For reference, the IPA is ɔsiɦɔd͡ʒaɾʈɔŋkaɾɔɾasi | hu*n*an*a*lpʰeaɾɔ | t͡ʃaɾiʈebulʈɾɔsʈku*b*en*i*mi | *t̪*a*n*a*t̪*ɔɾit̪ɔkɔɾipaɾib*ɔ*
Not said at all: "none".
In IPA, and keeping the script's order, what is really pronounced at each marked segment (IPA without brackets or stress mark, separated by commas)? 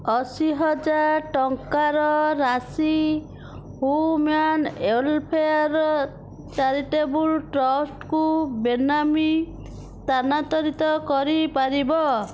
m, e, b, a, t̪, n, t̪, ɔ